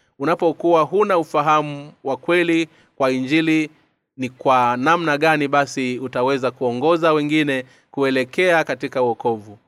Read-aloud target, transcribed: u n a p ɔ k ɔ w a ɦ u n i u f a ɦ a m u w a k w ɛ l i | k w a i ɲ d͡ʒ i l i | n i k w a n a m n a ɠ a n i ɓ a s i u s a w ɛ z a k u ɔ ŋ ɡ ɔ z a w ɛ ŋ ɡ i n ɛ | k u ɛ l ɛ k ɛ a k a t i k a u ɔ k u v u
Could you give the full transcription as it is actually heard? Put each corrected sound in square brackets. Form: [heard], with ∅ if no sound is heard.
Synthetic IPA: u n a p ɔ k [u] w a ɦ u n [a] u f a ɦ a m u w a k w ɛ l i | k w a i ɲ d͡ʒ i l i | n i k w a n a m n a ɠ a n i ɓ a s i u [t] a w ɛ z a k u ɔ ŋ ɡ ɔ z a w ɛ ŋ ɡ i n ɛ | k u ɛ l ɛ k ɛ a k a t i k a u ɔ k [ɔ] v u